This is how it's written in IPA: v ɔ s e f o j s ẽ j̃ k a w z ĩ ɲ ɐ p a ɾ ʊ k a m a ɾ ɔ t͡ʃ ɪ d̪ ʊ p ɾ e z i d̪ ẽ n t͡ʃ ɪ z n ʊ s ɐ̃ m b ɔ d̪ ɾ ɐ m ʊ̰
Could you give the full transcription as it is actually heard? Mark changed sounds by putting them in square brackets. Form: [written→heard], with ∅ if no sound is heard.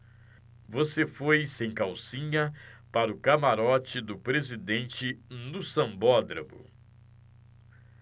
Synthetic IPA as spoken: v [ɔ→o] s e f o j s ẽ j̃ k a w [z→s] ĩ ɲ ɐ p a ɾ ʊ k a m a ɾ ɔ t͡ʃ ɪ d̪ ʊ p ɾ e z i d̪ ẽ n t͡ʃ ɪ [z→∅] n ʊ s ɐ̃ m b ɔ d̪ ɾ ɐ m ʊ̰